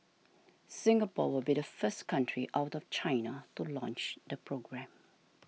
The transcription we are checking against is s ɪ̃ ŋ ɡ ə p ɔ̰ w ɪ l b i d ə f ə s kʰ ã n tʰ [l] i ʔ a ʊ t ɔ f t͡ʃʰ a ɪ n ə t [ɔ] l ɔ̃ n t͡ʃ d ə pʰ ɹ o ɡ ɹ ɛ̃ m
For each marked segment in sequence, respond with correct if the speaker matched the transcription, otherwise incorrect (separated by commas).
incorrect, incorrect